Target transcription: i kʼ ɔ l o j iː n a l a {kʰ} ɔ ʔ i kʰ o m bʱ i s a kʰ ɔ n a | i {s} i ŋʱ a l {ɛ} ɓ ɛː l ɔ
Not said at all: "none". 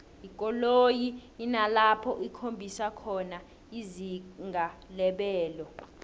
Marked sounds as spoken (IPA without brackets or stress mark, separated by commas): pʰ, z, ɛ